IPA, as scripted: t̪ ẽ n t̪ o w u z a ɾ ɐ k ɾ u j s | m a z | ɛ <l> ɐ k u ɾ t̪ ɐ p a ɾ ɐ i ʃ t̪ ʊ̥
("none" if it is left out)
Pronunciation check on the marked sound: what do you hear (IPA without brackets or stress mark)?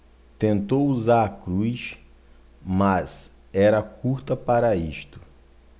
ɾ